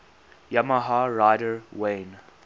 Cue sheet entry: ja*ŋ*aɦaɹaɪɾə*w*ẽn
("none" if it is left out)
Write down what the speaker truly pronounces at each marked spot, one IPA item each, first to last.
m, w

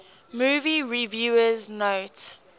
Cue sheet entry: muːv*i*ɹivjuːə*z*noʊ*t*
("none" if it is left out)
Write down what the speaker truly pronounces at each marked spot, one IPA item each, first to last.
i, z, t

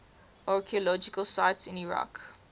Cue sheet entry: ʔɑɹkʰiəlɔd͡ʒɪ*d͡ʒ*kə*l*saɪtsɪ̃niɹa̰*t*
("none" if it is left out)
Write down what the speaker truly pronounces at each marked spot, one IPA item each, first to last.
none, l, k

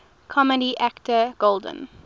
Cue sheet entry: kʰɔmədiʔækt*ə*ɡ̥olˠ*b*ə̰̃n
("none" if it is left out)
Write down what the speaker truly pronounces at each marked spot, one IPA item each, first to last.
ə, d

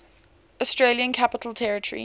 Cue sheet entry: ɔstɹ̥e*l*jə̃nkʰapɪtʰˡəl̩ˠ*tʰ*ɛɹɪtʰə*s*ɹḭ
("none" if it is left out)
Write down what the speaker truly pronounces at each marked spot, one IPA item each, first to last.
l, tʰ, none

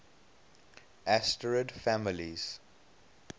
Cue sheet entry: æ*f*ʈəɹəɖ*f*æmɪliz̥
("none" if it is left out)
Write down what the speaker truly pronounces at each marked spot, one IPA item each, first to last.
s, f

